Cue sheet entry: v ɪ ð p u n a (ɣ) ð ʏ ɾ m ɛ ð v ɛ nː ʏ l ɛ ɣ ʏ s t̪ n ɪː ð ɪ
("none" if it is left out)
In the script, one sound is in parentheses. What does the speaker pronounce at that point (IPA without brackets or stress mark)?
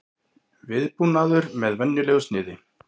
none